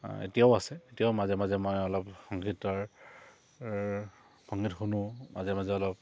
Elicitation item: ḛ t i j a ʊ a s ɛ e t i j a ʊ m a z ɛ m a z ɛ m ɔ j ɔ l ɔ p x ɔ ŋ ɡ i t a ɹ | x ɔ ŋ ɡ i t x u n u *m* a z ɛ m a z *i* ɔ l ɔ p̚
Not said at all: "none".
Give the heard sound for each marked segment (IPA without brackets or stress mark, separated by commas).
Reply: m, ɛ